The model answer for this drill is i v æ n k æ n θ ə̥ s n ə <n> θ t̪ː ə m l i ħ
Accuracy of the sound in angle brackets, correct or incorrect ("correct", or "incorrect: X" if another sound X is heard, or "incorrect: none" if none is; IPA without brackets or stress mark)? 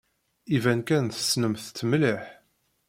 incorrect: m